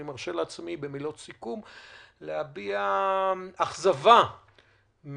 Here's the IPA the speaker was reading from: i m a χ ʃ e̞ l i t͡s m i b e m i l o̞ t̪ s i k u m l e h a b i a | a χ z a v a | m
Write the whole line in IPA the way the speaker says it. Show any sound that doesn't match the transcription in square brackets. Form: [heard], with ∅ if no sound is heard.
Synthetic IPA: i m a [ʁ] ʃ e̞ l [a] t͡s m i b e m i l o̞ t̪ s i k u m l e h a b i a | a χ z a v a | m